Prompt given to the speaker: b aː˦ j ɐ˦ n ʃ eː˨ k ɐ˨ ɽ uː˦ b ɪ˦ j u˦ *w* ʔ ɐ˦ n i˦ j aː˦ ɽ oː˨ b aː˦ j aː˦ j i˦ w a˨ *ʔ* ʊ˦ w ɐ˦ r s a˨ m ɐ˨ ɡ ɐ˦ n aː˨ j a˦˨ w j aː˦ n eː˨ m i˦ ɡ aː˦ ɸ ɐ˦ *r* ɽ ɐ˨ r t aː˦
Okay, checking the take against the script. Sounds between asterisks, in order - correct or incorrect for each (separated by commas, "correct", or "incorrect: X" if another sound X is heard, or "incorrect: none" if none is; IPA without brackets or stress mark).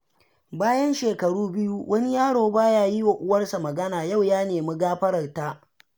correct, correct, incorrect: none